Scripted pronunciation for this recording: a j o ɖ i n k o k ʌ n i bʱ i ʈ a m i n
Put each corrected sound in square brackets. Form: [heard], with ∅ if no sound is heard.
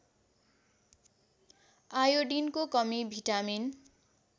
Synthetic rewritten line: a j o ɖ i n k o k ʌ [m] i bʱ i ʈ a m i n

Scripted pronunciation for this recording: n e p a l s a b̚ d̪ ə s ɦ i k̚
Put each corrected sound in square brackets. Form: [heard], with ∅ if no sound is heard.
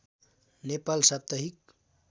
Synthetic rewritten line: n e p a l s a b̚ [t̪] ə [∅] ɦ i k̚

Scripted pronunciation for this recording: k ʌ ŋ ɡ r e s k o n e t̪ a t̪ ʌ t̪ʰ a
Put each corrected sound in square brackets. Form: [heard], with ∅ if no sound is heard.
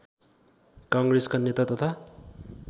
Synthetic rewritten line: k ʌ ŋ ɡ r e s k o n e t̪ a t̪ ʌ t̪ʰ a

